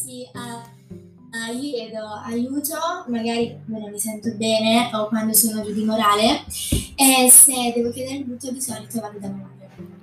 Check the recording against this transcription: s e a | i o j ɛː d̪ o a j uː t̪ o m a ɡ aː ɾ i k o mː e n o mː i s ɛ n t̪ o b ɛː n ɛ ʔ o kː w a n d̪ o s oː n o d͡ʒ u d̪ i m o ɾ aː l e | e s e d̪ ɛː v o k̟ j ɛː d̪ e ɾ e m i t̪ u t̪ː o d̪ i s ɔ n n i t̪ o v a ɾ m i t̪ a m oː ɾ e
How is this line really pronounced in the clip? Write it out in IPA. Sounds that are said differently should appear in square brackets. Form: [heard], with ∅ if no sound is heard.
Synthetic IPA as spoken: s [i] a | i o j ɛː d̪ o a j uː t̪ o m a ɡ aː ɾ i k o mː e n o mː i s ɛ n t̪ o b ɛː n [e] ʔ o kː w a n d̪ o s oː n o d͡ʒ u d̪ i m o ɾ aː l e | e s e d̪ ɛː v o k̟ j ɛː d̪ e ɾ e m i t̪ u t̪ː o d̪ i s ɔ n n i t̪ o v a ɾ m i [d̪] a m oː ɾ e